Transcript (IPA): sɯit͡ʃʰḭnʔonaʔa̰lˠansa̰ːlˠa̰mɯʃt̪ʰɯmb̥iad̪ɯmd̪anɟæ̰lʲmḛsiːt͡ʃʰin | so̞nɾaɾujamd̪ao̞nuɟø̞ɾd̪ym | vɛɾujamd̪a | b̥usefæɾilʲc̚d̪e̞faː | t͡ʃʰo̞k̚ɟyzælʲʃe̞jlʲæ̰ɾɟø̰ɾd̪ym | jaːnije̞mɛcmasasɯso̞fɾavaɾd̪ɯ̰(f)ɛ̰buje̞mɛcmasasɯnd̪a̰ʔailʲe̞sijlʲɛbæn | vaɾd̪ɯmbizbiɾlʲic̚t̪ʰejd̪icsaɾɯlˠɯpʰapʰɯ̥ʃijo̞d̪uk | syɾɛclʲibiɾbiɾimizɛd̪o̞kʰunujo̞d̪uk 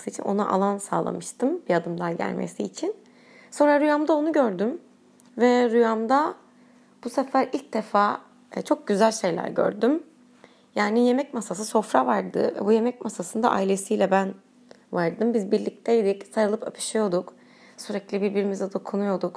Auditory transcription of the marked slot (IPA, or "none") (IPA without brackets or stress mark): v